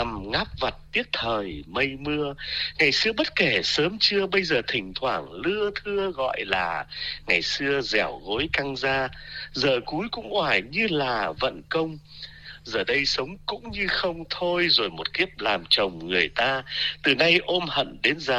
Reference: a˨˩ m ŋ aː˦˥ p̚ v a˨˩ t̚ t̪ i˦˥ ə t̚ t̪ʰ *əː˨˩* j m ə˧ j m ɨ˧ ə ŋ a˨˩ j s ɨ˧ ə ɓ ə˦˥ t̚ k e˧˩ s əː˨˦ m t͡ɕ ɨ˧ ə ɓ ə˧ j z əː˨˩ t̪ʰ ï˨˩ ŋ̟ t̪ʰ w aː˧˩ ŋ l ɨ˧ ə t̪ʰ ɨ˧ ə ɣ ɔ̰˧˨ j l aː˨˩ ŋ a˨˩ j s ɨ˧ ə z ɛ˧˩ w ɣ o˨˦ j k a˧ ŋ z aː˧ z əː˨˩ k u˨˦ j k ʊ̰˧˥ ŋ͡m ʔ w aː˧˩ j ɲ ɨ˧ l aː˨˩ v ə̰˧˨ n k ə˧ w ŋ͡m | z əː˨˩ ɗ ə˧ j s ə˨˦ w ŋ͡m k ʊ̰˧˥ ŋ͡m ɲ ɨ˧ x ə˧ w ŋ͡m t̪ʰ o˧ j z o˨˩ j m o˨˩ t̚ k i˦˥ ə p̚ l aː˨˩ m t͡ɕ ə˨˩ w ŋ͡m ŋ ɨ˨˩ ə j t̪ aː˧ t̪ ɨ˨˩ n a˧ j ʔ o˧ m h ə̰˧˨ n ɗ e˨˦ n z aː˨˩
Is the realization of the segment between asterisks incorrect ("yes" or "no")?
no